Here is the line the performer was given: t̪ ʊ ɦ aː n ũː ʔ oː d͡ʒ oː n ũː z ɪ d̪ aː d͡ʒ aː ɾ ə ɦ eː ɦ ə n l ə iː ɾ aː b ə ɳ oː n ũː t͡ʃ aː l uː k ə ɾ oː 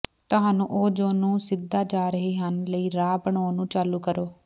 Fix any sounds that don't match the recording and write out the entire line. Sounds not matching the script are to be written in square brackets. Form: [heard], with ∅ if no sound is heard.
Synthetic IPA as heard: t̪ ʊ ɦ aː n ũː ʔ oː d͡ʒ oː n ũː [s] ɪ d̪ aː d͡ʒ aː ɾ ə ɦ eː ɦ ə n l ə iː ɾ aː b ə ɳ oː n ũː t͡ʃ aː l uː k ə ɾ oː